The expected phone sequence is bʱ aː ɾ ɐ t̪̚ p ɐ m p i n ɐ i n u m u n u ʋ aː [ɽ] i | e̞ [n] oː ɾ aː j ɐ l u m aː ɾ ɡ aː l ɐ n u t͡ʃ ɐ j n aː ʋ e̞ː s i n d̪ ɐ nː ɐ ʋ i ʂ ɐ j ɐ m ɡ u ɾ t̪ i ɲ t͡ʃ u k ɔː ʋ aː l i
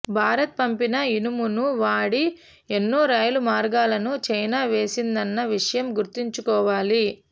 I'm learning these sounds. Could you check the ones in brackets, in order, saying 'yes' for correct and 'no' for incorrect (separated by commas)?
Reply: yes, no